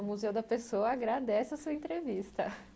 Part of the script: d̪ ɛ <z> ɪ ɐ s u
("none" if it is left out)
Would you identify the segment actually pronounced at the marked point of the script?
s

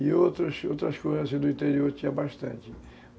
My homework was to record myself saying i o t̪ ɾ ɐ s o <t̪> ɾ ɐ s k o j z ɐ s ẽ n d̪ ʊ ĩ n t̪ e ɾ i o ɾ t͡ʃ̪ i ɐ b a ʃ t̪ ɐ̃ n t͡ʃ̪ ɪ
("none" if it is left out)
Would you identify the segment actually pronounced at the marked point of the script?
t̪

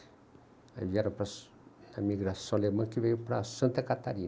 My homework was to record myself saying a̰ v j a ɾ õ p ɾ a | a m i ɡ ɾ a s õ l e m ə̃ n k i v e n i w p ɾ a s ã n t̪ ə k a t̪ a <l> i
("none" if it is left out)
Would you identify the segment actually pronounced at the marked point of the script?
ɾ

